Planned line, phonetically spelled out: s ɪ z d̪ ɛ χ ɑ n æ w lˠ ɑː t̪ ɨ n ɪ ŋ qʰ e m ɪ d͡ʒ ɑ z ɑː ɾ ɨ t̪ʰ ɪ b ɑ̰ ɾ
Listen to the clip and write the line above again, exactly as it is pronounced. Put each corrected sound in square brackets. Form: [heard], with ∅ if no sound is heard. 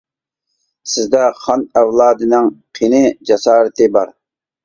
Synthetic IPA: s ɪ z d̪ ɛ χ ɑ n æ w lˠ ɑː [d̪] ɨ n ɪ ŋ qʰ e [n] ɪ d͡ʒ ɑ [s] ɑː ɾ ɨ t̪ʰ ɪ b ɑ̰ ɾ